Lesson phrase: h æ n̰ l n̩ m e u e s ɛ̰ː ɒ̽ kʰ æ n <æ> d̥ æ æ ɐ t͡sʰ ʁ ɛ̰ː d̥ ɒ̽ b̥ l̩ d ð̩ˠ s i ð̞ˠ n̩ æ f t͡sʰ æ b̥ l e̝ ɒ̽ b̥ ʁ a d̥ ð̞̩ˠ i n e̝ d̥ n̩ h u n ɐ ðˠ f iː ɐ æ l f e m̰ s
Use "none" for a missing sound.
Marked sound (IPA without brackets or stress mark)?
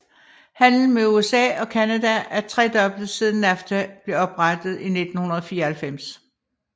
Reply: æ